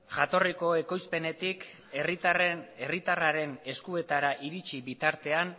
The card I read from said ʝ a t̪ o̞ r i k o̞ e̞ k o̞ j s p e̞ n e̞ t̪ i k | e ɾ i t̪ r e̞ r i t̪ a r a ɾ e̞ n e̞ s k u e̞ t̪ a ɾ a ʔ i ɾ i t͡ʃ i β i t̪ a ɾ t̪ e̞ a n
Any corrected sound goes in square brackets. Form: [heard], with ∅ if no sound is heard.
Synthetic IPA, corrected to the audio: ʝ a t̪ o̞ r i k o̞ e̞ k o̞ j s p e̞ n e̞ t̪ i k | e [r] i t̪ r e̞ r i t̪ a r a ɾ e̞ n e̞ s k u e̞ t̪ a ɾ a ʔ i ɾ i t͡ʃ i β i t̪ a ɾ t̪ e̞ a n

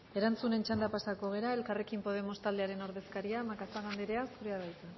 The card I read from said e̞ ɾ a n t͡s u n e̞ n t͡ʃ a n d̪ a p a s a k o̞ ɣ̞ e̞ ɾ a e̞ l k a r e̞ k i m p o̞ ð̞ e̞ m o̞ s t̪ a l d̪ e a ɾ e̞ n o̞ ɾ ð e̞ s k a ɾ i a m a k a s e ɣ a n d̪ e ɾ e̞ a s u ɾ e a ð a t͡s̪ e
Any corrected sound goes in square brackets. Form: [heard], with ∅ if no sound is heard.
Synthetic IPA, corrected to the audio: e̞ ɾ a n t͡s u n e̞ n t͡ʃ a n d̪ a p a s a k o̞ ɣ̞ e̞ ɾ a e̞ l k a r e̞ k i m p o̞ ð̞ e̞ m o̞ s t̪ a l d̪ e a ɾ e̞ n o̞ ɾ ð e̞ s k a ɾ i a m a k a s [a] ɣ a n d̪ e ɾ e̞ a s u ɾ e a ð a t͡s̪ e

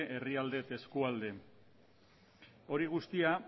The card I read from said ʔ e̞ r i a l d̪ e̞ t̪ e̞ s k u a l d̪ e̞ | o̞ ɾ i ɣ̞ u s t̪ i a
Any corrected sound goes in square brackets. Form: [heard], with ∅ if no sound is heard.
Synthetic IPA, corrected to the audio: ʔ e̞ r i a l d̪ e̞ t̪ e̞ s k u a l d̪ e̞ | o̞ ɾ i ɣ̞ u s t̪ i a

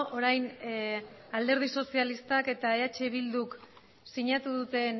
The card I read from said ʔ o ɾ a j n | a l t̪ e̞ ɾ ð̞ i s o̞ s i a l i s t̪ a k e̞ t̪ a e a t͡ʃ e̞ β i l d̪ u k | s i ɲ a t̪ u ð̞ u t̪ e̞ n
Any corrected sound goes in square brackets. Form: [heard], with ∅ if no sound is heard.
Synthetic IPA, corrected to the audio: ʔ o ɾ a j n | a l [d̪] e̞ ɾ ð̞ i s o̞ s i a l i s t̪ a k e̞ t̪ a e a t͡ʃ e̞ β i l d̪ u k | s i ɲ a t̪ u ð̞ u t̪ e̞ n

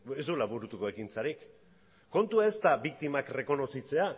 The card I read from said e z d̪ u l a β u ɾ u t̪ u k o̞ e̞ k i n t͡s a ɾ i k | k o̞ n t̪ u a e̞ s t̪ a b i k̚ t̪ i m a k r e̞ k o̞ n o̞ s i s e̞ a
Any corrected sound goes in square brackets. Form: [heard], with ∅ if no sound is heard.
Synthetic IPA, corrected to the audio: e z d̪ u l a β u ɾ u t̪ u k o̞ e̞ k i n t͡s a ɾ i k | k o̞ n t̪ u a e̞ s t̪ a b i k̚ t̪ i m a k r e̞ k o̞ n o̞ s i [t͡s] e̞ a

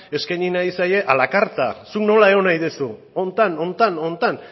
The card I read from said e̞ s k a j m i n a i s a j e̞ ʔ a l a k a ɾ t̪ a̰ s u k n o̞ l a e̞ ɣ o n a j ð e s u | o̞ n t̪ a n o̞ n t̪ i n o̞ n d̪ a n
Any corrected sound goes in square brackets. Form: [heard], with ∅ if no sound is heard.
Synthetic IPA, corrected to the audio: e̞ s k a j [ɲ] i n a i s a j e̞ ʔ a l a k a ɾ t̪ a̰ s u k n o̞ l a e̞ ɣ o n a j ð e s u | o̞ n t̪ a n o̞ n t̪ [a] n o̞ n [t̪] a n

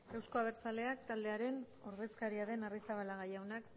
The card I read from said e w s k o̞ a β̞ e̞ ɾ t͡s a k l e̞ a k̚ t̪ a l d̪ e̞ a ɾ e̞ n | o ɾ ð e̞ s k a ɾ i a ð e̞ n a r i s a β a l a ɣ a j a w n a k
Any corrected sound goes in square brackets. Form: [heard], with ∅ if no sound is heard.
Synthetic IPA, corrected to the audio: e w s k o̞ a β̞ e̞ ɾ t͡s a [∅] l e̞ a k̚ t̪ a l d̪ e̞ a ɾ e̞ n | o ɾ ð e̞ s k a ɾ i a ð e̞ n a r i s a β a l a ɣ a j a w n a k

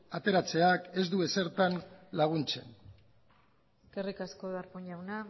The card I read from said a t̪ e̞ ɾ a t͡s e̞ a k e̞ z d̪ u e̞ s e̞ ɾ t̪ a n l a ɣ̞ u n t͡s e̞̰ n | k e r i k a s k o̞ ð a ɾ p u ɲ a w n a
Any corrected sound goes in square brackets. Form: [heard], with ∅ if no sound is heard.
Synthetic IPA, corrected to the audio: a t̪ e̞ ɾ a t͡s e̞ a k e̞ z d̪ u e̞ s e̞ ɾ t̪ a n l a ɣ̞ u n t͡s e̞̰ n | k e r i k a s k o̞ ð a ɾ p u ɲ a w n a

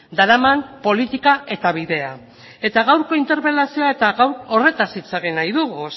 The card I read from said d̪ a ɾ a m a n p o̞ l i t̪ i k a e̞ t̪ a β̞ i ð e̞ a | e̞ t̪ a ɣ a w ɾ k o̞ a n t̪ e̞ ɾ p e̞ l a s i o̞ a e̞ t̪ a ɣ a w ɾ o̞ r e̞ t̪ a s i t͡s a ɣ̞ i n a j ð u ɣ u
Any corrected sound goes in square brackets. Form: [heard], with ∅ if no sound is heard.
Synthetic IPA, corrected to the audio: d̪ a ɾ a m a n p o̞ l i t̪ i k a e̞ t̪ a β̞ i ð e̞ a | e̞ t̪ a ɣ a w ɾ k o̞ [i] n t̪ e̞ ɾ p e̞ l a s i o̞ a e̞ t̪ a ɣ a w ɾ o̞ r e̞ t̪ a s i t͡s a ɣ̞ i n a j ð u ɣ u

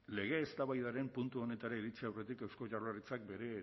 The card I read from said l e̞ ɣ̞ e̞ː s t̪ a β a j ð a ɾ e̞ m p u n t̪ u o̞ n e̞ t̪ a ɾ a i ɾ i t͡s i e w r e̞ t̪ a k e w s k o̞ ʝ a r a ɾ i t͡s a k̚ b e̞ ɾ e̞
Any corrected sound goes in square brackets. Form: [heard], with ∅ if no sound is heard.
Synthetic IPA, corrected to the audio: l e̞ ɣ̞ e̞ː s t̪ a β a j ð a ɾ e̞ m p u n t̪ u o̞ n e̞ t̪ a ɾ a i ɾ i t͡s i [a] w r e̞ t̪ [i] k e w s k o̞ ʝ a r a [r] i t͡s a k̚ b e̞ ɾ e̞

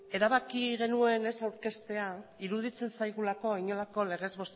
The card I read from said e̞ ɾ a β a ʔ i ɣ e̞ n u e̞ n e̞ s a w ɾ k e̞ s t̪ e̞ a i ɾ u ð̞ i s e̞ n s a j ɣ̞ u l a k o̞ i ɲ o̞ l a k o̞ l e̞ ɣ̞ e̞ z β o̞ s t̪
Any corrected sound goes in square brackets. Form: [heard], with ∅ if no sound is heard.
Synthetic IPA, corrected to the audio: e̞ ɾ a β a [k] i ɣ e̞ n u e̞ n e̞ s a w ɾ k e̞ s t̪ e̞ a i ɾ u ð̞ i [t͡s] e̞ n s a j ɣ̞ u l a k o̞ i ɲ o̞ l a k o̞ l e̞ ɣ̞ e̞ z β o̞ s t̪

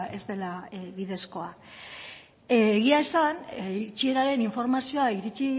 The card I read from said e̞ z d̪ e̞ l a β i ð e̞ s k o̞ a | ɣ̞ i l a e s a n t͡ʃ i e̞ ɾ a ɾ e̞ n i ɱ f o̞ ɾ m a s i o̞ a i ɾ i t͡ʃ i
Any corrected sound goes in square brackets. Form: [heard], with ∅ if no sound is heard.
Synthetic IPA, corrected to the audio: e̞ z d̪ e̞ l a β i ð e̞ s k o̞ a | ɣ̞ i [∅] a e s a n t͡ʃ i e̞ ɾ a ɾ e̞ n i ɱ f o̞ ɾ m a s i o̞ a i ɾ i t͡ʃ i

